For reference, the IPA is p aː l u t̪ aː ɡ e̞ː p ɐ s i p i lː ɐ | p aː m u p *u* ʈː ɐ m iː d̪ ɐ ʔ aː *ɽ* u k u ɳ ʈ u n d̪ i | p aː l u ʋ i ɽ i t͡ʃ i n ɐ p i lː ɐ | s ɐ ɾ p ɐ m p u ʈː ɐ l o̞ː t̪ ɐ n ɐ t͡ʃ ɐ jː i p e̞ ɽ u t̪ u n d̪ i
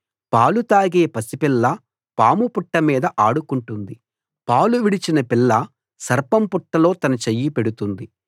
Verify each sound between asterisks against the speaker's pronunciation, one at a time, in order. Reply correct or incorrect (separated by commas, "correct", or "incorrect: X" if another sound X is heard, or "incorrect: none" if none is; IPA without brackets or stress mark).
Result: correct, correct